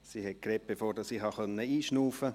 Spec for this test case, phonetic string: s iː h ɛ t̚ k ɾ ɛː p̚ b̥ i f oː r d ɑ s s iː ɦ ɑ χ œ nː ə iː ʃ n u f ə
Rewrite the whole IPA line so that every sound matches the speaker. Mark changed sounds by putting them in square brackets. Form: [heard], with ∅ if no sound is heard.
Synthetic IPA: s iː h ɛ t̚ k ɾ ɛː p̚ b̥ [e] f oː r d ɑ s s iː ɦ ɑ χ œ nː ə iː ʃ n [uː] f ə